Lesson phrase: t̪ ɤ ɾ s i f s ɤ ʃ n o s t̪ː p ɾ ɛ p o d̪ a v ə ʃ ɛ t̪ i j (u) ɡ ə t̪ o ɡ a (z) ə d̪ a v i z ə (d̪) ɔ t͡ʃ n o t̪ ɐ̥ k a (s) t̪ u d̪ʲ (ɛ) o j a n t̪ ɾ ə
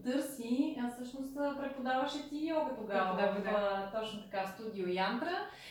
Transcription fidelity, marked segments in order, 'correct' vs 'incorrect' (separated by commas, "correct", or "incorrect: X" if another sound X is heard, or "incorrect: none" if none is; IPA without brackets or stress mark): incorrect: ɔ, incorrect: v, incorrect: t̪, correct, incorrect: i